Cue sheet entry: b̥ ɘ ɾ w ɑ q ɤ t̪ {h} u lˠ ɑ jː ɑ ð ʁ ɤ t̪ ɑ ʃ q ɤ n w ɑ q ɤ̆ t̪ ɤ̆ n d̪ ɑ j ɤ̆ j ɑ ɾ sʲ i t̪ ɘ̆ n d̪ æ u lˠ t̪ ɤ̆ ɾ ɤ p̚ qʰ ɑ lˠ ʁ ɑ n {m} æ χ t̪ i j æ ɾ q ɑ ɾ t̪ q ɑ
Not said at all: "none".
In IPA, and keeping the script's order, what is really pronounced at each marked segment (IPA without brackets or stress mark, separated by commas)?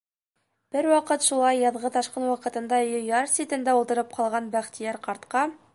ʃ, b